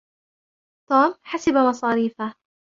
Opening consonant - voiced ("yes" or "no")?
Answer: no